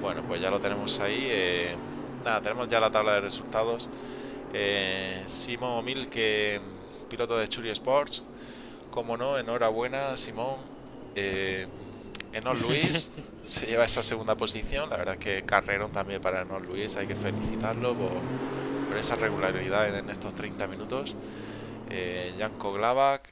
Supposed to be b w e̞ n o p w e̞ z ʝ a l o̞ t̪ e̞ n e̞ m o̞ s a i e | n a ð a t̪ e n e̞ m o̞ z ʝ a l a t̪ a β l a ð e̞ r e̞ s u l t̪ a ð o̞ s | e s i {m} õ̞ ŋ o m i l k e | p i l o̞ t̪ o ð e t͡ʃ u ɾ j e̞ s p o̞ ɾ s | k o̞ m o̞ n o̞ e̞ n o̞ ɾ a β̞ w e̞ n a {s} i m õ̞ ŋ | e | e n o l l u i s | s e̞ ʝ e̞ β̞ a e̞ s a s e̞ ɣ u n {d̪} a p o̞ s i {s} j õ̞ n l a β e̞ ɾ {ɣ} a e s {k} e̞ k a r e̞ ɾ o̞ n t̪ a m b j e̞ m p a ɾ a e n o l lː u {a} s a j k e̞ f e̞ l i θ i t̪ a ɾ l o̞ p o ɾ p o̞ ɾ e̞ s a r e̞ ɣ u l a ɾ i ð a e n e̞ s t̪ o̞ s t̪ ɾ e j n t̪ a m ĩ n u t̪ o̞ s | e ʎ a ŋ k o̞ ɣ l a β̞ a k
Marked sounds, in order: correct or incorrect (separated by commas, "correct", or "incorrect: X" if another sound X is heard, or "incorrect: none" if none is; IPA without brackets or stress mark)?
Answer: correct, correct, correct, incorrect: θ, incorrect: ð, correct, incorrect: i